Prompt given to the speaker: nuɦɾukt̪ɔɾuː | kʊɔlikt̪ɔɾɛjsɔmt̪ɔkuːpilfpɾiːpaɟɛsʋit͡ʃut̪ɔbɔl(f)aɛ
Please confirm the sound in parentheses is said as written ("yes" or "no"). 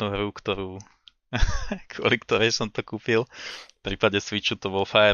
yes